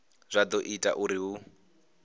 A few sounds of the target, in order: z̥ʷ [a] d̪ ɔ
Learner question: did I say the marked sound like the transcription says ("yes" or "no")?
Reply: yes